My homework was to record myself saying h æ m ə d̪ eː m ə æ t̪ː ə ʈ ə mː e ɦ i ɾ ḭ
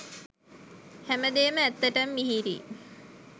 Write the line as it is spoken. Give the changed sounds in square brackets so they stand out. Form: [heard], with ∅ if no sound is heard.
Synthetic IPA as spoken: h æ m ə d̪ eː m ə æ t̪ː ə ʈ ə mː [i] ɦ i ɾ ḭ